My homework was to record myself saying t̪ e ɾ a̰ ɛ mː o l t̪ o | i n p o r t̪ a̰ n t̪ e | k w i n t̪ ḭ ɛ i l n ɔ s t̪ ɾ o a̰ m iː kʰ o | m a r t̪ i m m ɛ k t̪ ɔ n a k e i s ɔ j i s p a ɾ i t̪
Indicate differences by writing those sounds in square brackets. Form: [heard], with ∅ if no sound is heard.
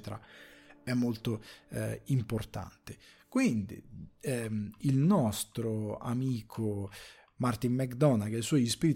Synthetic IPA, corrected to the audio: t̪ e ɾ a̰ ɛ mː o l t̪ o | i [m] p o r t̪ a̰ n t̪ e | k w i n [d̪] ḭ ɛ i l n ɔ s t̪ ɾ o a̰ m iː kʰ o | m a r t̪ i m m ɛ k [d̪] ɔ n a k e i s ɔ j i s p [i] ɾ i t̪